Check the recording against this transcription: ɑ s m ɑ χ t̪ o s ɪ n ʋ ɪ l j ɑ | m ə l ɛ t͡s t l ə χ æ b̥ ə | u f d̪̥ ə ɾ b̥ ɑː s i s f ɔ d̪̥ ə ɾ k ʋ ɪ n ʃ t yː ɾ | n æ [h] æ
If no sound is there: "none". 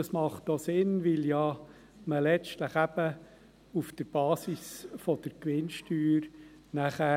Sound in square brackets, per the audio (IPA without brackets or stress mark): χ